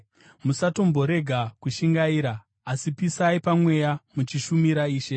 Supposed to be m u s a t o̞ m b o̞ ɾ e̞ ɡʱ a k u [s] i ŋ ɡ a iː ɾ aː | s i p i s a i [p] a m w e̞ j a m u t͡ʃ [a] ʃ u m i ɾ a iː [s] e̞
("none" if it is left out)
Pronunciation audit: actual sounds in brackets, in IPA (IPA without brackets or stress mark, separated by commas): ʃ, p, i, ʃ